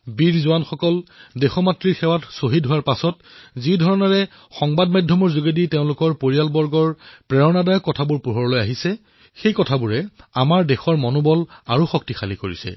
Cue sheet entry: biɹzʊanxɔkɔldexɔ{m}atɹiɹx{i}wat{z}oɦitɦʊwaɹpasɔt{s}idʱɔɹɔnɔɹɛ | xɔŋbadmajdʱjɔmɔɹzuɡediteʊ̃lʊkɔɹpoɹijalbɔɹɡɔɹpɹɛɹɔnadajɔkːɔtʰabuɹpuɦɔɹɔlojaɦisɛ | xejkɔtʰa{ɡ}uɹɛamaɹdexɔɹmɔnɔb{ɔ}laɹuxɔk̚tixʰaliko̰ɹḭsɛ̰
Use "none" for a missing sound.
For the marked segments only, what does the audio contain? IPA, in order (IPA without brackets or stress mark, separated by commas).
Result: m, ɛ, s, z, b, ɔ